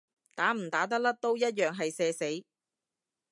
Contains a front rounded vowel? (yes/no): yes